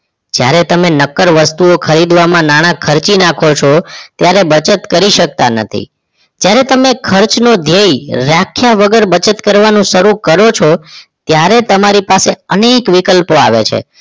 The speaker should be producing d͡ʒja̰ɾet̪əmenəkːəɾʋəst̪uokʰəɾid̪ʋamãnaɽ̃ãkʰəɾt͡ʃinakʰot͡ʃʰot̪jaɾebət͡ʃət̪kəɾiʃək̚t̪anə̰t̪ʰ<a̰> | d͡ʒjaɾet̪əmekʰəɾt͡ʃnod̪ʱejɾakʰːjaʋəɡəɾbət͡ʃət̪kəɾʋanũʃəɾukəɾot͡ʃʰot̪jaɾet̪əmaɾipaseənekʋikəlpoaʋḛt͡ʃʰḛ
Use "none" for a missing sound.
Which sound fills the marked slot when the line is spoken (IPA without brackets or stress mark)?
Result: ḭ